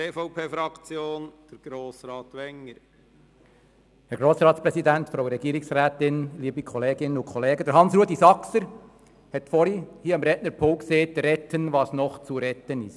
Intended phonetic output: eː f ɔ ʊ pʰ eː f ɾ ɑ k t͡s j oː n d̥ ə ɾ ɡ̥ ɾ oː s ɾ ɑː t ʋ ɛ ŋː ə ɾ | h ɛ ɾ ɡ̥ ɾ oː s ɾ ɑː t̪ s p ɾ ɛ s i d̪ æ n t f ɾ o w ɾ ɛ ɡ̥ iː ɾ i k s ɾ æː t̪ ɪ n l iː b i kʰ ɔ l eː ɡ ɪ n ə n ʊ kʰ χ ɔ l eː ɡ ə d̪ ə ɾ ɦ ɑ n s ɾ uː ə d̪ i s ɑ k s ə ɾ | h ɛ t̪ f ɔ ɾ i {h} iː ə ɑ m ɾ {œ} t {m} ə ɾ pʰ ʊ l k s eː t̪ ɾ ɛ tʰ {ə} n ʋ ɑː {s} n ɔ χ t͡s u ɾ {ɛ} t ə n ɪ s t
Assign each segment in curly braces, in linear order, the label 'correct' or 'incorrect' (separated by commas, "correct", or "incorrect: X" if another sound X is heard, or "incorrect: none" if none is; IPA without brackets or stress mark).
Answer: correct, incorrect: ɛ, incorrect: n, correct, correct, correct